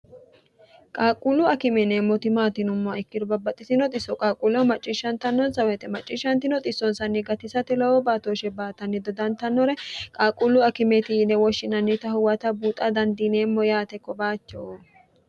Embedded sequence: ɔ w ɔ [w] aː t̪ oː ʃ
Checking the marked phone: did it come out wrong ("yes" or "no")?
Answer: yes